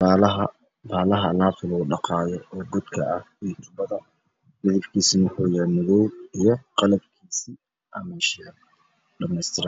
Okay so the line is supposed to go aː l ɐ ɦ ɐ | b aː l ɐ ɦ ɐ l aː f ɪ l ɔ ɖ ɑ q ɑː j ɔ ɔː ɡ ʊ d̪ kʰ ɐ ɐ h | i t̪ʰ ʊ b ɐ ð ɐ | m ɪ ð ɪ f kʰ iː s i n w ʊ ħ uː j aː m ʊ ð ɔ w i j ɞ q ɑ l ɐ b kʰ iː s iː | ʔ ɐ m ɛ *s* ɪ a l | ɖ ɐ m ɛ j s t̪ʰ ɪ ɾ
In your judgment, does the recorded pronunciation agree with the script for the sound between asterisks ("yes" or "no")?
no